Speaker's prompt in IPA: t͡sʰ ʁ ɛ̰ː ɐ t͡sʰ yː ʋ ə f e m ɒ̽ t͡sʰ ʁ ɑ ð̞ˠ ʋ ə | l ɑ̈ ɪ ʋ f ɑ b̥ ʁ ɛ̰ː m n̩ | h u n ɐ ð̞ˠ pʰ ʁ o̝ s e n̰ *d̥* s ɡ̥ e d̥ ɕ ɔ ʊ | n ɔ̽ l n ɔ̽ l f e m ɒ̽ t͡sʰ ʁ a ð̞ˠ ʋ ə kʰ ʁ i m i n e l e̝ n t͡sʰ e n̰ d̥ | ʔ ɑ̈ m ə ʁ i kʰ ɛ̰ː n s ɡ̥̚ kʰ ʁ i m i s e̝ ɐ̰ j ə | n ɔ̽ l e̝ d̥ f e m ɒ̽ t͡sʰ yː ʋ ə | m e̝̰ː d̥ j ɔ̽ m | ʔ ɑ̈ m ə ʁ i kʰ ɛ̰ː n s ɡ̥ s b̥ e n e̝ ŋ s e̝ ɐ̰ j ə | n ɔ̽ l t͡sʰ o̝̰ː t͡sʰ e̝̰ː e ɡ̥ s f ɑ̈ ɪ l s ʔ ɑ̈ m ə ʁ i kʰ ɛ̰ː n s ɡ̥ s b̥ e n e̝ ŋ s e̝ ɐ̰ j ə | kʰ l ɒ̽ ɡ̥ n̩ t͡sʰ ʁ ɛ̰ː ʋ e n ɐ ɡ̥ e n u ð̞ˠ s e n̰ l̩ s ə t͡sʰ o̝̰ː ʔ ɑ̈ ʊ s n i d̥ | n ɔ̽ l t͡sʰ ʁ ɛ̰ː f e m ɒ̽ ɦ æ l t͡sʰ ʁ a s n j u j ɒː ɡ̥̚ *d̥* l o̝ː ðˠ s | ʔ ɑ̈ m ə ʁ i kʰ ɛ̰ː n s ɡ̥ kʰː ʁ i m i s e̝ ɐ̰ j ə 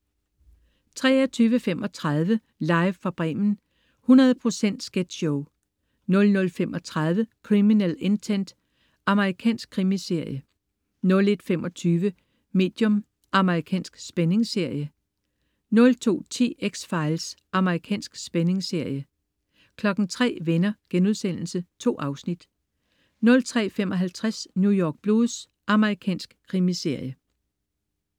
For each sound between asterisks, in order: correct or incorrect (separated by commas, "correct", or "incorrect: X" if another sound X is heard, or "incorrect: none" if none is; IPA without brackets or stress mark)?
correct, incorrect: b̥